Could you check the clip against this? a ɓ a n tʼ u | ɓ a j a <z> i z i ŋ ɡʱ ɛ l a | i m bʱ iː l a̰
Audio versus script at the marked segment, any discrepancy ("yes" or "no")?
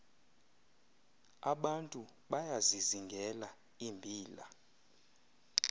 no